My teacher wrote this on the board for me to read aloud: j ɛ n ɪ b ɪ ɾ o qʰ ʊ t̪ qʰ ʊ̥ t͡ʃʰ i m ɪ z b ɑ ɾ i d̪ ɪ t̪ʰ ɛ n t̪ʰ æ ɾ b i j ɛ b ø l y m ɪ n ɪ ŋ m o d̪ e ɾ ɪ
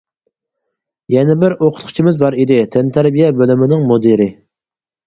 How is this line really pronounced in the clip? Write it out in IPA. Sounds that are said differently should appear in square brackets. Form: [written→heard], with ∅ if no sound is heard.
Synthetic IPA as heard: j ɛ n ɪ b ɪ ɾ o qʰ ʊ t̪ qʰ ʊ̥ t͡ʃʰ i m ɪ z b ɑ ɾ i d̪ ɪ t̪ʰ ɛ n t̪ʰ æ ɾ b i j ɛ b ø l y m ɪ n ɪ ŋ m o d̪ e ɾ ɪ